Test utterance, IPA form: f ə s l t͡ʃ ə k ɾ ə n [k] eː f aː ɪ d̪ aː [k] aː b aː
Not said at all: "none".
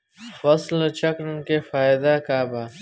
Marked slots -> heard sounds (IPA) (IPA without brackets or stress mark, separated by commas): k, k